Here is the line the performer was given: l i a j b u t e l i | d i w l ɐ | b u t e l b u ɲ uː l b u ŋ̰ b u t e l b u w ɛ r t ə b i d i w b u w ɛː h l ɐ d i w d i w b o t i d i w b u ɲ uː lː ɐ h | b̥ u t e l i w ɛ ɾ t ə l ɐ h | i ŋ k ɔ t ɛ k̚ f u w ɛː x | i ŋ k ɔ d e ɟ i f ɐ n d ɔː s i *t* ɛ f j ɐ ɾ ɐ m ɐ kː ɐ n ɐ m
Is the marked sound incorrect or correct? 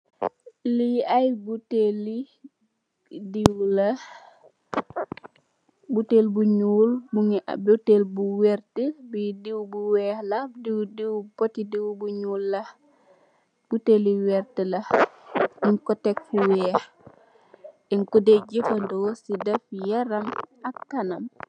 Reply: incorrect: d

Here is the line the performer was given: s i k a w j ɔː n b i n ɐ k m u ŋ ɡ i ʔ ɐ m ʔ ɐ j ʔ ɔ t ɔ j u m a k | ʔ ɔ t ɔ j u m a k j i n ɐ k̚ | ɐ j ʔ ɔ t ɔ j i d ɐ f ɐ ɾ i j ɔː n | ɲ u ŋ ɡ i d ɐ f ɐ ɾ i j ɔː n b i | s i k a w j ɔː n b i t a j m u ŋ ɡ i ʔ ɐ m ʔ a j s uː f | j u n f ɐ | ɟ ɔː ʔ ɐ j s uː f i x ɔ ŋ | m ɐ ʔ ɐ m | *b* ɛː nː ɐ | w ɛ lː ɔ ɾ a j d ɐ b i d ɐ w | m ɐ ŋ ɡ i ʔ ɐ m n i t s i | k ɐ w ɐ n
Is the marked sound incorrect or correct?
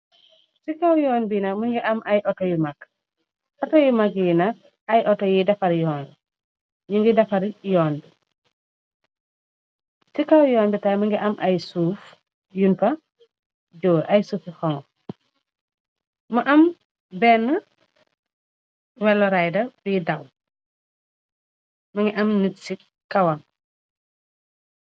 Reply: correct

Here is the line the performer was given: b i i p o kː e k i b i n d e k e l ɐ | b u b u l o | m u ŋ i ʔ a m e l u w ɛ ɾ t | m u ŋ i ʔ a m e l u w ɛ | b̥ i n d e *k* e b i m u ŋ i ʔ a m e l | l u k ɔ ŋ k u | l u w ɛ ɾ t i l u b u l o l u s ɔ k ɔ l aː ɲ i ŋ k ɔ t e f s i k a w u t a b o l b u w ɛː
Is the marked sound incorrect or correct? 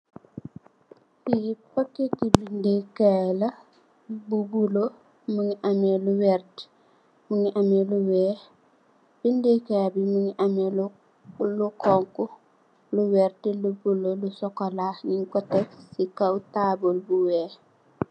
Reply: correct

